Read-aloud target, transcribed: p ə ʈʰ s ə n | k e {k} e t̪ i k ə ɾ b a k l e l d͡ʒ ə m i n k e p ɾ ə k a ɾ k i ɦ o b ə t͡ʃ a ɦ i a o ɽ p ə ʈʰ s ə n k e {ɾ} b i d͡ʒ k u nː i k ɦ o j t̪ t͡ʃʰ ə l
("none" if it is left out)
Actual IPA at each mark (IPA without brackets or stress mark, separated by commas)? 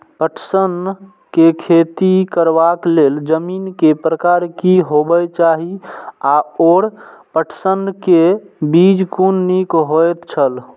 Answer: kʰ, none